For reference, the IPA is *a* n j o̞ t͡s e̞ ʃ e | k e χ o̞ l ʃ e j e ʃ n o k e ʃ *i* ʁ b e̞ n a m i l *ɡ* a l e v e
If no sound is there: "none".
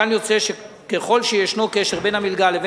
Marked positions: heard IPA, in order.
a, e, ɡ

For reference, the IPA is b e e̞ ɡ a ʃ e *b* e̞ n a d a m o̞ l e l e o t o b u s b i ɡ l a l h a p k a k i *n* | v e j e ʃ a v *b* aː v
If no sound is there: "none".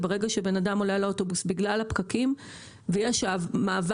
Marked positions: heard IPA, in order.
b, m, m

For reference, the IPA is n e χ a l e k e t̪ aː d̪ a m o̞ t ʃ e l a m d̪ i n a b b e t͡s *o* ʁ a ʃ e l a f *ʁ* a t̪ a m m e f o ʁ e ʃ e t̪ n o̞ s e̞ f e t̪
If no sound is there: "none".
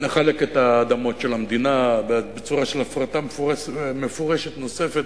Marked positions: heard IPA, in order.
u, ʁ

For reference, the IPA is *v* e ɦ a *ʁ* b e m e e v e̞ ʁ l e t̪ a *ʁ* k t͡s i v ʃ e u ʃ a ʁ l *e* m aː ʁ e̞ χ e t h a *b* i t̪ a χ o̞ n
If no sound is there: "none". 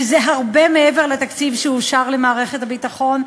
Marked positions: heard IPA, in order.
z, ʁ, none, e, b

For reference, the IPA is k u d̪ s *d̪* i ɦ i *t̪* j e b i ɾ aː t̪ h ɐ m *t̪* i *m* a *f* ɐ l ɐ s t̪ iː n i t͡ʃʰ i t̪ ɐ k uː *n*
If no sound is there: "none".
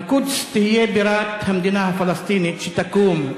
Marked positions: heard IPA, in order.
t̪, none, d̪, n, f, m

